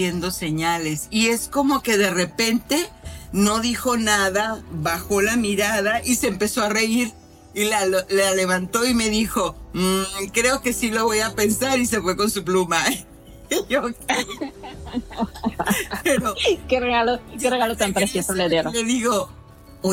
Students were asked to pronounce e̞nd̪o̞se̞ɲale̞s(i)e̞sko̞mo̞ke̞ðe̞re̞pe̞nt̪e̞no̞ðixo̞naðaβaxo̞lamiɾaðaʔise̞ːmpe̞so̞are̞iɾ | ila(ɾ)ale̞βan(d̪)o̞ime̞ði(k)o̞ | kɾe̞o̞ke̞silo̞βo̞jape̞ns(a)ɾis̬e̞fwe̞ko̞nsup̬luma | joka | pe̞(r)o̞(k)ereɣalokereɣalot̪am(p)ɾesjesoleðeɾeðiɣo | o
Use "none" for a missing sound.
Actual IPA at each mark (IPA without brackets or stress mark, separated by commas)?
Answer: i, l, t̪, x, a, ɾ, k, p